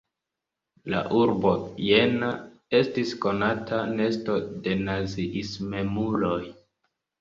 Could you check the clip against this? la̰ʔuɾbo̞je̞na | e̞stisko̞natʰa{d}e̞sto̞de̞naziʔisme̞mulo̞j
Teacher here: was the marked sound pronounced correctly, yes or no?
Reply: no